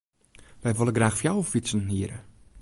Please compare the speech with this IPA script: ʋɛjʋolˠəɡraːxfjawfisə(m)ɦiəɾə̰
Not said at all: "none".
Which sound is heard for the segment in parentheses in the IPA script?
n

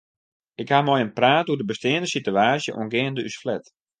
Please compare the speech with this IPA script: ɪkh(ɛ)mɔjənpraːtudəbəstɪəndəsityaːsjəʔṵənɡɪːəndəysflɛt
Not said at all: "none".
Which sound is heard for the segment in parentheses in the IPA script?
a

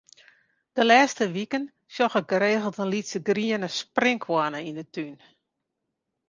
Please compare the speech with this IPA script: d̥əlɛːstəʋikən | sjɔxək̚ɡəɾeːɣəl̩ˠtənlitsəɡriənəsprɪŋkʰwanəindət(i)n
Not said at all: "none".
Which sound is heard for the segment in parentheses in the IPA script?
y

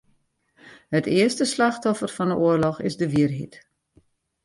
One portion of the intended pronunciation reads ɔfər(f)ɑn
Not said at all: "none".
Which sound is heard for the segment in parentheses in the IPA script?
f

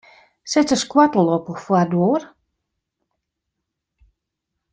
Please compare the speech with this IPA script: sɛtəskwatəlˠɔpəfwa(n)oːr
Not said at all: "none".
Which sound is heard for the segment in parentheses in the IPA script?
d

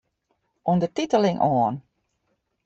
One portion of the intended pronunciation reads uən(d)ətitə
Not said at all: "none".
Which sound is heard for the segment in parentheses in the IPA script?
d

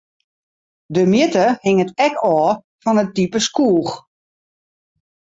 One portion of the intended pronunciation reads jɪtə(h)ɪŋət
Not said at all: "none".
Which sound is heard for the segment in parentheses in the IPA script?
h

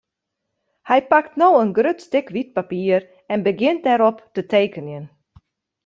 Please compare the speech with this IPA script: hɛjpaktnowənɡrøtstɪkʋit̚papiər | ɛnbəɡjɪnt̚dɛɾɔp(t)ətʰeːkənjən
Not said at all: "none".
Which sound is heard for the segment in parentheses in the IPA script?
t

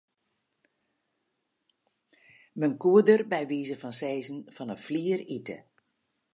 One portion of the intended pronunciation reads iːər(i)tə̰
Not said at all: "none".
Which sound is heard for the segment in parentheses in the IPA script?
i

